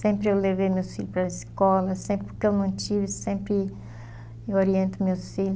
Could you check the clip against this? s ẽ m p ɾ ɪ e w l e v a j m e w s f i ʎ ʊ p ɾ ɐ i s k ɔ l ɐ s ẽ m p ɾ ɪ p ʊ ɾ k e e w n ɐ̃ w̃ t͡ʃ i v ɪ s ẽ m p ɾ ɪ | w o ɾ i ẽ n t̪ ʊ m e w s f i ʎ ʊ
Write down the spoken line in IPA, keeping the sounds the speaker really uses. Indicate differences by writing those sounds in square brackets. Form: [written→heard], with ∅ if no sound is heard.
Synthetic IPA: s ẽ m p ɾ ɪ e w l e v [a→e] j m e w s f i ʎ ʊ p ɾ ɐ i s k ɔ l ɐ s ẽ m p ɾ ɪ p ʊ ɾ k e e w n ɐ̃ w̃ t͡ʃ i v ɪ s ẽ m p ɾ ɪ | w o ɾ i ẽ n t̪ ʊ m e w s f i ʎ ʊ